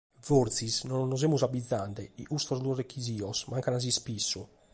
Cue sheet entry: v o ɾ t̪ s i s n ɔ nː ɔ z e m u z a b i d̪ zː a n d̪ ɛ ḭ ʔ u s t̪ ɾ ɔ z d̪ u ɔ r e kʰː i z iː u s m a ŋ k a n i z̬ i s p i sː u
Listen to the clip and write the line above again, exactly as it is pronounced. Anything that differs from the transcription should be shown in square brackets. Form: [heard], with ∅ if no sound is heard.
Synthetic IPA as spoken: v o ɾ t̪ s i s n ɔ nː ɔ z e m u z a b i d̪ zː a n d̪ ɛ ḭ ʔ u s t̪ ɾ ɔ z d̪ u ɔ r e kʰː i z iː [ɔ] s m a ŋ k a n [a] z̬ i s p i sː u